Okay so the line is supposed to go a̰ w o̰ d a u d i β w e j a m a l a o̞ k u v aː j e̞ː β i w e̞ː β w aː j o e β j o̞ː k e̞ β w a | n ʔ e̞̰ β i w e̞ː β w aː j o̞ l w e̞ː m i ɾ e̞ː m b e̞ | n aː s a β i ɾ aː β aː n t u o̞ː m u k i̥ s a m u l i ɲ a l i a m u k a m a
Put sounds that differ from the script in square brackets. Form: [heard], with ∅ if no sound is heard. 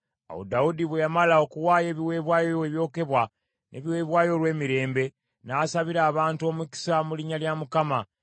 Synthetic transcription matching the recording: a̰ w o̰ d a u d i β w e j a m a l a o̞ k u [w] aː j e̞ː β i w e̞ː β w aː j o e β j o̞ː k e̞ β w a | n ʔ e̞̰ β i w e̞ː β w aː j o̞ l w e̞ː m i ɾ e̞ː m b e̞ | n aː s a β i ɾ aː β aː n t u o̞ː m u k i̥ s a m u l i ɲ a l [j] a m u k a m a

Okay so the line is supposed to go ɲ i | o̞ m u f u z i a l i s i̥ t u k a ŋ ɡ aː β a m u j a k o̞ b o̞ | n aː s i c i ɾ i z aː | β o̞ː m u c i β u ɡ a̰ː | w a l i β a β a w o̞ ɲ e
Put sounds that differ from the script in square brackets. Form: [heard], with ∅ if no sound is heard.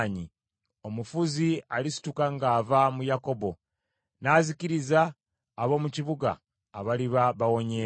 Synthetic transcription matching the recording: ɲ i | o̞ m u f u z i a l i s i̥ t u k a ŋ ɡ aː [v] a m u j a k o̞ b o̞ | n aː [z] i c i ɾ i z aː | β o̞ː m u c i β u ɡ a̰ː | [β] a l i β a β a w o̞ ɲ e

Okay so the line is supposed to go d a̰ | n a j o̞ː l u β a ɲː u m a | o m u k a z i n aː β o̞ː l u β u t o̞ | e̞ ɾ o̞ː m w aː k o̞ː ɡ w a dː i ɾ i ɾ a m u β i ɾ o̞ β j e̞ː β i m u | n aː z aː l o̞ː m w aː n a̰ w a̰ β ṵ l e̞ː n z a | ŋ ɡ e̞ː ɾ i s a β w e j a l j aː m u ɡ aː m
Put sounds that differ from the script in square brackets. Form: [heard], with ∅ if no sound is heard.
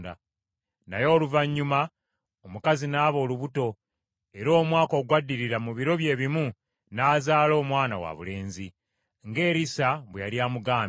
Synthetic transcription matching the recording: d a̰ | n a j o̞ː l u [v] a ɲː u m a | o m u k a z i n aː β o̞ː l u β u t o̞ | e̞ ɾ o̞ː m w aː k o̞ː ɡ w a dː i ɾ i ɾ a m u β i ɾ o̞ β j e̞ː β i m u | n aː z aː l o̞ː m w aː n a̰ w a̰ β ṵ l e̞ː n z [i] | ŋ ɡ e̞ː ɾ i s a β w e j a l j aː m u ɡ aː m

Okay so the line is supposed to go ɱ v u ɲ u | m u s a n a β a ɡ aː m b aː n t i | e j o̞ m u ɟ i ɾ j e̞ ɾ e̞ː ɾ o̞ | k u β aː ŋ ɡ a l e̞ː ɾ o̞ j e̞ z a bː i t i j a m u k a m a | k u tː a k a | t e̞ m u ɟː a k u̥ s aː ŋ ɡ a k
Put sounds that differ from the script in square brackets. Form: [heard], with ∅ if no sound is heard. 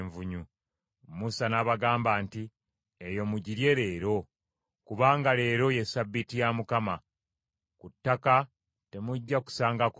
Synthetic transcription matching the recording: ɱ v u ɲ u | m u s a n a β a ɡ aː m b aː n t i | e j o̞ m u ɟ i ɾ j e̞ ɾ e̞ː ɾ o̞ | k u β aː ŋ ɡ a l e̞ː ɾ o̞ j e̞ [s] a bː i t i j a m u k a m a | k u tː a k a | t e̞ m u ɟː a k u̥ s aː ŋ ɡ a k

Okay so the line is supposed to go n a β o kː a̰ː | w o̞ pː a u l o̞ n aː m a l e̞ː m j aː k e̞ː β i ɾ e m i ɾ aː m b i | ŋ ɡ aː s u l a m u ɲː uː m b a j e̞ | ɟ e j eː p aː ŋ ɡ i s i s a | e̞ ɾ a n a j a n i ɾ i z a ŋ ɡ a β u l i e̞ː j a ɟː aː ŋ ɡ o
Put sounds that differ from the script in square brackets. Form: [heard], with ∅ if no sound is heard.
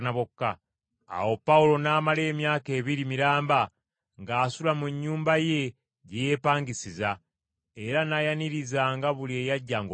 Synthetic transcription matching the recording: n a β o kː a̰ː | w o̞ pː a u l o̞ n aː m a l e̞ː m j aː k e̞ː β i ɾ [i] m i ɾ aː m b [a] | ŋ ɡ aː s u l a m u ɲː uː m b a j e̞ | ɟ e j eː p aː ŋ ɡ i s i [z] a | e̞ ɾ a n a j a n i ɾ i z a ŋ ɡ a β u l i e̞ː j a ɟː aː ŋ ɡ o

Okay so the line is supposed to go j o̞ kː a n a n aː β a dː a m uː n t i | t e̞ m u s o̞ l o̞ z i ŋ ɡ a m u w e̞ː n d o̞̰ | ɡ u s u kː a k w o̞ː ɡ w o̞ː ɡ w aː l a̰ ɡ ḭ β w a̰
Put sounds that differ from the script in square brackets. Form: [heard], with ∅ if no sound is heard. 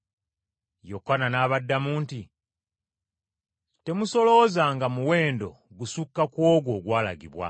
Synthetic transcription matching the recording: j o̞ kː a n a n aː β a dː a m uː n t i | t e̞ m u s o̞ l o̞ z [a] ŋ ɡ a m u w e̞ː n d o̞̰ | ɡ u s u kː a k w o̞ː ɡ w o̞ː ɡ w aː l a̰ ɡ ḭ β w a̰

